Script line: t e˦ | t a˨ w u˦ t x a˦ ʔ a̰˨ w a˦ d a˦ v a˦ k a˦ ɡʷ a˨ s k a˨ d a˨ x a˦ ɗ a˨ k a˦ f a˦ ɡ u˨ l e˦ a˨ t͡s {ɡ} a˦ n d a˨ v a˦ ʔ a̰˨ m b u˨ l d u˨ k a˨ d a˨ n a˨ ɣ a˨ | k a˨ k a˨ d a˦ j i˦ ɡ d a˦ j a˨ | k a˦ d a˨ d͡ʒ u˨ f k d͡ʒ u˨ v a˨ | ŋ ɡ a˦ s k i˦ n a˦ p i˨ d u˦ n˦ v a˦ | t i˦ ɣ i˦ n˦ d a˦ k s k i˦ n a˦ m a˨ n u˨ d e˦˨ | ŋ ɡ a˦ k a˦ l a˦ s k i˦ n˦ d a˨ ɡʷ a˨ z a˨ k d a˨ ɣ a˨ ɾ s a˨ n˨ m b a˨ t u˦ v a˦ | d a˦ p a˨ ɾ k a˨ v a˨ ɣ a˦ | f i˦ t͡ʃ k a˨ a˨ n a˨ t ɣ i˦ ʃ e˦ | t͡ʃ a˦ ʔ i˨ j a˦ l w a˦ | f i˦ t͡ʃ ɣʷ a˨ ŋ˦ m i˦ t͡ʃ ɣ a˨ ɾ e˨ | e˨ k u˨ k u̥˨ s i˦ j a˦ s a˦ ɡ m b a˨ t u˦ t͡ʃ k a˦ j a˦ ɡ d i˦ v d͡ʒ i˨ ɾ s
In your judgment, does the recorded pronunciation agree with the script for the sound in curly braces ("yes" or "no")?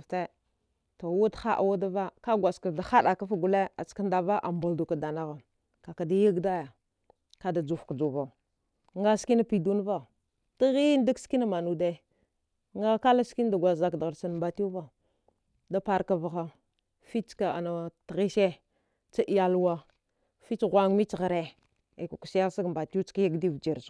no